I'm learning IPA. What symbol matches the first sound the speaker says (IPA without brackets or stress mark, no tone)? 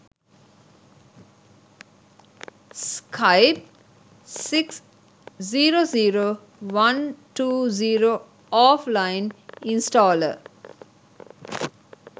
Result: s